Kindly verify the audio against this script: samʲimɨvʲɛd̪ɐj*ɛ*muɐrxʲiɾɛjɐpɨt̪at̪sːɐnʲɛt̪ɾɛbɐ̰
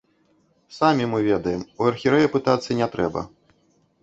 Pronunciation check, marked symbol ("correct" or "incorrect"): correct